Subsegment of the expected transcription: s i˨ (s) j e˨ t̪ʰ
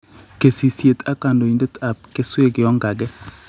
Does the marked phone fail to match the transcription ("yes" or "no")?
no